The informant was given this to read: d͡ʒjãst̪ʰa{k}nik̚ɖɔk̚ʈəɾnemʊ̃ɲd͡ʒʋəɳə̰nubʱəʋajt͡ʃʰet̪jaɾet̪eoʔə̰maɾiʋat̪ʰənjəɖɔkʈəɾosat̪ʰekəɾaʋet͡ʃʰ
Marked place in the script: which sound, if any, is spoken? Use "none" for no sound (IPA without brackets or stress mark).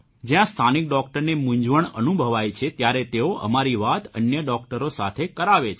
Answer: none